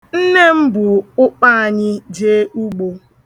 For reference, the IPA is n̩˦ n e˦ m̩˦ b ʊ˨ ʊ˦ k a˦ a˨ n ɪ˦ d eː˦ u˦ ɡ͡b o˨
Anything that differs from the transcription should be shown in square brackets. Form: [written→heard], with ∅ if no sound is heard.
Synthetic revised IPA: n̩˦ n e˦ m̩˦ b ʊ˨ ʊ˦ [k→k͡p] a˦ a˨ [n→ɲ] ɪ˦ [d→d͡ʒ] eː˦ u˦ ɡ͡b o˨